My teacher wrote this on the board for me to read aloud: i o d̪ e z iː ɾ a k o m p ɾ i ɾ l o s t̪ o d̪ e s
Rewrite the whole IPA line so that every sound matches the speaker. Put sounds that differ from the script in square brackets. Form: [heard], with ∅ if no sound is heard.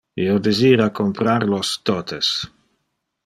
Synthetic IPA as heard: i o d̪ e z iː ɾ a k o m p ɾ [a] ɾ l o s t̪ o [t̪] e s